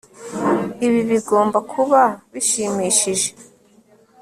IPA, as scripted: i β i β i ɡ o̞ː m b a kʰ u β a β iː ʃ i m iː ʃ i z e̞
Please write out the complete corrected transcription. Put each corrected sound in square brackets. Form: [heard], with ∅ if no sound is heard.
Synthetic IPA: i β i β i ɡ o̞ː m b a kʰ u β a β [i] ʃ i m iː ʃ i [ʒ] e̞